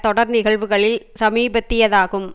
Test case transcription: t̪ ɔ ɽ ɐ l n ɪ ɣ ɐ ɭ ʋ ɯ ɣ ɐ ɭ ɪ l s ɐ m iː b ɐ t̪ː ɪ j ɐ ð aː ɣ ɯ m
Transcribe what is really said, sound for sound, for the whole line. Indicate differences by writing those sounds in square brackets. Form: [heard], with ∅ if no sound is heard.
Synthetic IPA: t̪ ɔ ɽ ɐ [ɾ] n ɪ ɣ ɐ ɭ ʋ ɯ ɣ ɐ ɭ ɪ l s ɐ m iː b ɐ t̪ː ɪ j ɐ ð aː ɣ ɯ m